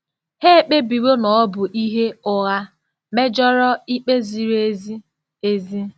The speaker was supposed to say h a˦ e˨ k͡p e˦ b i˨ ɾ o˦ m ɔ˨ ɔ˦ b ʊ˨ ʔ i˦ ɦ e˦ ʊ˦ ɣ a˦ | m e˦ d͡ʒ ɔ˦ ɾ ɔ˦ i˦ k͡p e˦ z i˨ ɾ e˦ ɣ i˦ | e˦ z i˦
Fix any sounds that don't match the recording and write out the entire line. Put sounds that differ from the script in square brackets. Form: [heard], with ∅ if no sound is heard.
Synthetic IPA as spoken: h [e˦] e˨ k͡p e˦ b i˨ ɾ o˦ [n] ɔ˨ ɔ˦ b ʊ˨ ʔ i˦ ɦ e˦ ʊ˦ ɣ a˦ | m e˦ d͡ʒ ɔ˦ ɾ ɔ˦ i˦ k͡p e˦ z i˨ ɾ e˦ [z] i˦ | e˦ z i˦

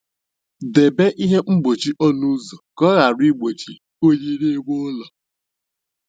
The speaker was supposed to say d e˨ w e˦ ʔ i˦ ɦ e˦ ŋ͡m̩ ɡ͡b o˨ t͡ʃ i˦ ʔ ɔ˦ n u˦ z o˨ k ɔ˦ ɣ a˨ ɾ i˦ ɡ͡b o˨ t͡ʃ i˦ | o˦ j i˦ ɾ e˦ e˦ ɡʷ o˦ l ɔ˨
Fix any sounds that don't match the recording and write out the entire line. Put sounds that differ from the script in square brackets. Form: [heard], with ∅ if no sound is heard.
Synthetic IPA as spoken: d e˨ [b] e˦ ʔ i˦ ɦ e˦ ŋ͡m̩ ɡ͡b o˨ t͡ʃ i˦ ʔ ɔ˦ n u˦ z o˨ k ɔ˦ ɣ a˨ ɾ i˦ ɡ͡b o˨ t͡ʃ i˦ | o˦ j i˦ ɾ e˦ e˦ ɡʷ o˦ l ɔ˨

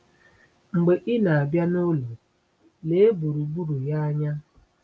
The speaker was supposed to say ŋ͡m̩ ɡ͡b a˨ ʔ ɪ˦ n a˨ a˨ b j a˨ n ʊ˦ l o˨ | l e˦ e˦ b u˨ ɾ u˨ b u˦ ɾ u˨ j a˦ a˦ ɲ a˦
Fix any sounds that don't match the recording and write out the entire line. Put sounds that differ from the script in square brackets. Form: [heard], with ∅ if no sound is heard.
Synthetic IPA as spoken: ŋ͡m̩ ɡ͡b [e˨] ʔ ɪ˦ n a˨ a˨ b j [a˦] n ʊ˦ l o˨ | l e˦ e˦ b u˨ ɾ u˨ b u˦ ɾ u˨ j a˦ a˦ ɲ a˦

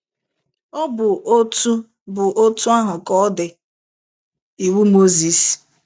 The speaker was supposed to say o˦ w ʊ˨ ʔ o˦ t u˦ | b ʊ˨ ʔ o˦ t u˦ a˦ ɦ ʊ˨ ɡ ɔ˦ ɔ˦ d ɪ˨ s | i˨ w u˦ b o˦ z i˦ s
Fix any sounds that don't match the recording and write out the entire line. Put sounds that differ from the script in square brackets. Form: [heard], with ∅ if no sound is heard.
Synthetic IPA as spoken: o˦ [b] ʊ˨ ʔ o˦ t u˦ | b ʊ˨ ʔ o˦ t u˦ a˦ ɦ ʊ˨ [k] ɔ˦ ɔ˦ d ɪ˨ [∅] | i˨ w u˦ [m] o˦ z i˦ s

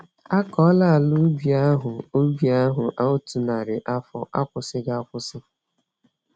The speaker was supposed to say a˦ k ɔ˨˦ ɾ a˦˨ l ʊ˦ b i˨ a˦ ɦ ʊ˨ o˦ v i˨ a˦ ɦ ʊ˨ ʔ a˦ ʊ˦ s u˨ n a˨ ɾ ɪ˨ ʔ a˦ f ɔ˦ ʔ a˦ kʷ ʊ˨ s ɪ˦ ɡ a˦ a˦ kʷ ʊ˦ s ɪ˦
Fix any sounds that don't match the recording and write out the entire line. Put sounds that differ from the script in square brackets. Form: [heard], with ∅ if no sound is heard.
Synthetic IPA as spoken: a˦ k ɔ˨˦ [l] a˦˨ l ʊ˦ b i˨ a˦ ɦ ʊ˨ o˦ [b] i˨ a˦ ɦ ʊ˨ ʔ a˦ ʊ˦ [t] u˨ n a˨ ɾ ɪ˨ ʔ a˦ f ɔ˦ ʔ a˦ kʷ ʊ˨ s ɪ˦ ɡ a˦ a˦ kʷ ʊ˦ s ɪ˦

